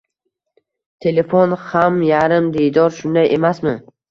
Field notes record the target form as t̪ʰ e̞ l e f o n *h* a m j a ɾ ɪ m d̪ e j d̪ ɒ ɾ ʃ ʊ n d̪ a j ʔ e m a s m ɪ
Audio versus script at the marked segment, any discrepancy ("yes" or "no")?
no